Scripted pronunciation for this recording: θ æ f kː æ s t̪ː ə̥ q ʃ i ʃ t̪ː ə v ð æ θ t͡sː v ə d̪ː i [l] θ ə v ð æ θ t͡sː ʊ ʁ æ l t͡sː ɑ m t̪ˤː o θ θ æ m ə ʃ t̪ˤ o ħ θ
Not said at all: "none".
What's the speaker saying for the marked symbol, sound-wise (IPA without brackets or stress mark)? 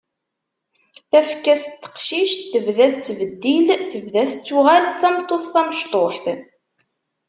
l